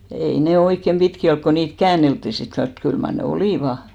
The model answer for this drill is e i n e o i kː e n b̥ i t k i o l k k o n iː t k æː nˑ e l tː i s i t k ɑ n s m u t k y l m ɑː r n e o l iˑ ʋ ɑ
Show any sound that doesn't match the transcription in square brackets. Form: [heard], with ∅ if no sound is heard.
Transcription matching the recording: e i n e o i kː e [m] b̥ i t k i o l k k o n iː t k æː nˑ e l tː i s i t k ɑ n s m u t k y l m [ɑ] r n e o l iˑ ʋ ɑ

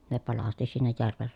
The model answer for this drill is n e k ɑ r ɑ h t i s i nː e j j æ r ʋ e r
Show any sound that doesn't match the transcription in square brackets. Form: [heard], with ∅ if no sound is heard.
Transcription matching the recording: n e [p] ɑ [l] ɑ [s] t i s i nː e j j æ r ʋ e r

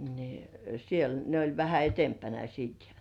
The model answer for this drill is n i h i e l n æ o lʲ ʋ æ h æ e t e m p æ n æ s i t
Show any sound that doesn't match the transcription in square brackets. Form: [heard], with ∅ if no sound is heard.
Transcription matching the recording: n i [s] i e l n [e] o lʲ ʋ æ h æ e t e m p æ n æ s [iː] t

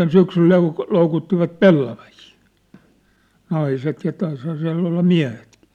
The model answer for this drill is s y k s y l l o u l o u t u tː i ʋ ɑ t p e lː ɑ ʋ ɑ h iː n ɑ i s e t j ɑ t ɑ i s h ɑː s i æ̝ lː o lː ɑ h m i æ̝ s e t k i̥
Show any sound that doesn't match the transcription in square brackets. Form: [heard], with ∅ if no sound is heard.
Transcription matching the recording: s y k s y l l o u l o u [k] u tː i ʋ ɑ t p e lː ɑ ʋ ɑ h iː n ɑ i s e t j ɑ t ɑ i s h ɑː s i æ̝ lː o lː ɑ [∅] m i æ̝ [h] e t k i̥

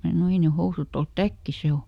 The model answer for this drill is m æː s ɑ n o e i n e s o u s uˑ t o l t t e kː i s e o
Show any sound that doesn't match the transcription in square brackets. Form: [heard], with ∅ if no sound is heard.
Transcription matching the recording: m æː s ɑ n o e i n e [h] o u s uˑ t o l t t [æ] kː i s e o

